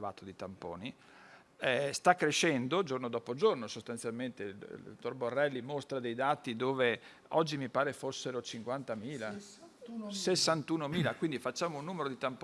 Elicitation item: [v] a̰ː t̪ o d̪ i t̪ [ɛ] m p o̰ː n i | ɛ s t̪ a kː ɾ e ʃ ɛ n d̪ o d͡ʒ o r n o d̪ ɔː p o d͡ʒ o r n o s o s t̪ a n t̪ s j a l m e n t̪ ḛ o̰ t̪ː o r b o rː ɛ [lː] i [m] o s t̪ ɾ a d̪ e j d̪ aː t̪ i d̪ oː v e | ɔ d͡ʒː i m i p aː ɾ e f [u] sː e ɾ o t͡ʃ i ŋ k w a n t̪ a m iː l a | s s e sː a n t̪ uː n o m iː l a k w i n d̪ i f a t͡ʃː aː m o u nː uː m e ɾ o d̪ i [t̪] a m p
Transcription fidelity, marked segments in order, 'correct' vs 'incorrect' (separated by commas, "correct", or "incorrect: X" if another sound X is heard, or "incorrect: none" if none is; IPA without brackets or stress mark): correct, incorrect: a, correct, correct, incorrect: o, correct